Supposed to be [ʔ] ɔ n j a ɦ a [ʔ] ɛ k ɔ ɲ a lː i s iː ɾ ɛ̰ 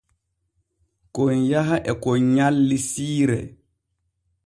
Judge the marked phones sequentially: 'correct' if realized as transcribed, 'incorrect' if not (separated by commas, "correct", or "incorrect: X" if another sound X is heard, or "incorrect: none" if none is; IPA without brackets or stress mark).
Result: incorrect: k, correct